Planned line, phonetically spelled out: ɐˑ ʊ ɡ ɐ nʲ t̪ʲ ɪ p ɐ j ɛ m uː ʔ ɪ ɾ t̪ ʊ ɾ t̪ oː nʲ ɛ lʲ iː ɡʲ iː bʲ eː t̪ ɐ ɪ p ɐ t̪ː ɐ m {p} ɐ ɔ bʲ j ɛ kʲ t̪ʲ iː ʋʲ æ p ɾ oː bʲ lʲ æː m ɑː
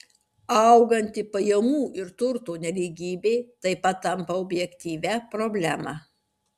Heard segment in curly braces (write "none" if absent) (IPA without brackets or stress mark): p